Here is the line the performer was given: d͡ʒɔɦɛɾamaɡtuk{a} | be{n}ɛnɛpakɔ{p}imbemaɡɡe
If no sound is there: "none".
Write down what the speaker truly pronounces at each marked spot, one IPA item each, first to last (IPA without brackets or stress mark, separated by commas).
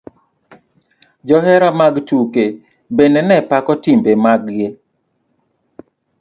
e, n, t